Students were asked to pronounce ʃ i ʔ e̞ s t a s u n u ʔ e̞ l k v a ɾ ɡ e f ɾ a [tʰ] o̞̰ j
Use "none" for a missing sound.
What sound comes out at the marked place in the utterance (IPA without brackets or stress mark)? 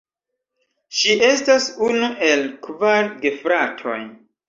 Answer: tʰ